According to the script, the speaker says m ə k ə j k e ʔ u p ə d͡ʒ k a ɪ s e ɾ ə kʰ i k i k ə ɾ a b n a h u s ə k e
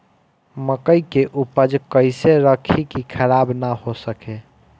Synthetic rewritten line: m ə k ə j k e ʔ u p ə d͡ʒ k ə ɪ s e ɾ ə kʰ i k i kʰ ə ɾ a b n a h o s ə k e